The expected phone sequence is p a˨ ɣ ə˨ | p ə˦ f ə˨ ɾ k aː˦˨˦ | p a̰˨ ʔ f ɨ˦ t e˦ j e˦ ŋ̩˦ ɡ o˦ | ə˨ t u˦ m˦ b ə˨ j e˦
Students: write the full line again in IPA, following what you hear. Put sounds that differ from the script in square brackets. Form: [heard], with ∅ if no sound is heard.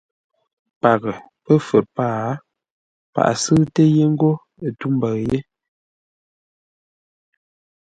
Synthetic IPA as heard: p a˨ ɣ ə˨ | p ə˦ f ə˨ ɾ [p] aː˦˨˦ | p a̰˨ ʔ [s] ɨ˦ t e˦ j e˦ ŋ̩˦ ɡ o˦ | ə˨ t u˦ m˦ b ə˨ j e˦